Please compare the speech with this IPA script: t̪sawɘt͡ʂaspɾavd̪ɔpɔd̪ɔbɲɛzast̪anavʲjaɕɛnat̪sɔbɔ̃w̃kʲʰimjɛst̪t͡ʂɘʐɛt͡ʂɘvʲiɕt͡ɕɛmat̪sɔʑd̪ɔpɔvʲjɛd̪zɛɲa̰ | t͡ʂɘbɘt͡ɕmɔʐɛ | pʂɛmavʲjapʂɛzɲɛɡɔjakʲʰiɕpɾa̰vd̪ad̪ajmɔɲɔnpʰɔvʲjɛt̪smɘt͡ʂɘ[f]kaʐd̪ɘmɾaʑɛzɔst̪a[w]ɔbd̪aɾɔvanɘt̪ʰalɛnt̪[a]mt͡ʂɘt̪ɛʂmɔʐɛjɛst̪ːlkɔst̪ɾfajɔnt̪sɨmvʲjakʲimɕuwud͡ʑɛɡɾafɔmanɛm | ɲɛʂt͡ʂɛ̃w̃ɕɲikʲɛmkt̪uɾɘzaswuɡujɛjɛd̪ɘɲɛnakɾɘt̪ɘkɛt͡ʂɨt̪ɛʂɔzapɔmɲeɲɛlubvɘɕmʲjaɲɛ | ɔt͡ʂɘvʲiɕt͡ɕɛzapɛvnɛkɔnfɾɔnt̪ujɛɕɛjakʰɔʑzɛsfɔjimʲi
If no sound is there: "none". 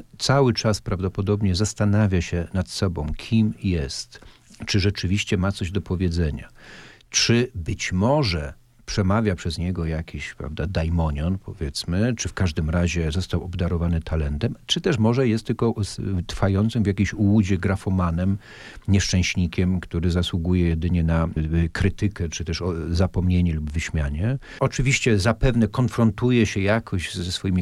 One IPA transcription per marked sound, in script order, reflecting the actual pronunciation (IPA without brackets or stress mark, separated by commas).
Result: f, w, ɛ